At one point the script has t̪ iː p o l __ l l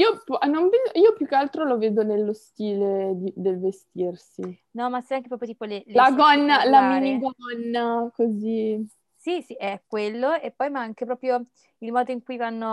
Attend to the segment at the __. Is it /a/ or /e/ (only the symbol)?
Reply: e